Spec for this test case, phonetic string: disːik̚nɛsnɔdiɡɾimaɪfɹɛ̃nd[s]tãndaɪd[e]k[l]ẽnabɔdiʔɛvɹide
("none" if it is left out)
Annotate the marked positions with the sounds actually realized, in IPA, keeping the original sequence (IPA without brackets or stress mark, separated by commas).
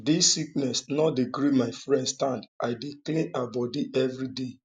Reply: s, i, l